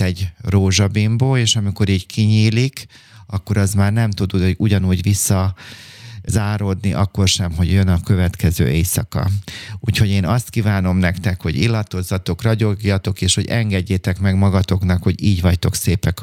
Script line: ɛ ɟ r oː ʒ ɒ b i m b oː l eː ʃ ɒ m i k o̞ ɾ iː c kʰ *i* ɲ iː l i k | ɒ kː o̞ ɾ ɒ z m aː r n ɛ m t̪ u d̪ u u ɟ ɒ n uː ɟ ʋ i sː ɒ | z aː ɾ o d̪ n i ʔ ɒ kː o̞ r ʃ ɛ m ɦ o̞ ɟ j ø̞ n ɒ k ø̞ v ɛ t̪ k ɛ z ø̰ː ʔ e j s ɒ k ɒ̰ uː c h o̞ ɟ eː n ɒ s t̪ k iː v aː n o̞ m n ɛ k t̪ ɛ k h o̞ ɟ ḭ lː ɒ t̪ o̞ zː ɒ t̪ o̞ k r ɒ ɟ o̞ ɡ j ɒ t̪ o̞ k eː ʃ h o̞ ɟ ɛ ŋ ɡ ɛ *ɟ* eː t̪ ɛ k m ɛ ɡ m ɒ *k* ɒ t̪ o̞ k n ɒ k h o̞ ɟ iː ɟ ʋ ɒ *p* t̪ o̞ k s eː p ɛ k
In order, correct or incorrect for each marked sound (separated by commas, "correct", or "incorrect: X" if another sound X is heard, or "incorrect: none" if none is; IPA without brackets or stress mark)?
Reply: correct, incorrect: ɟː, incorrect: ɡ, incorrect: c